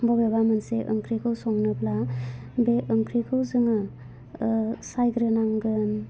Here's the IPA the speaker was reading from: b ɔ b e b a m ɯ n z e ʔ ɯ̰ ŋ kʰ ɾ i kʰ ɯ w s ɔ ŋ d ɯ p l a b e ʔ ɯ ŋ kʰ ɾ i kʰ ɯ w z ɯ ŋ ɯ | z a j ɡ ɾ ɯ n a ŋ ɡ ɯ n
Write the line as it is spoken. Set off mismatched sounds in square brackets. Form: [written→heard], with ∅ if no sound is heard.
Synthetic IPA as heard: b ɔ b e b a m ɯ n [z→s] e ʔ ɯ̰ ŋ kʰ ɾ i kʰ ɯ w s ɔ ŋ [d→n] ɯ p l a b e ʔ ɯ ŋ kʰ ɾ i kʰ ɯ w z ɯ ŋ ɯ | [z→s] a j ɡ ɾ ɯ n a ŋ ɡ ɯ n